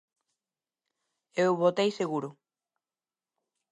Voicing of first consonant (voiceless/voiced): voiced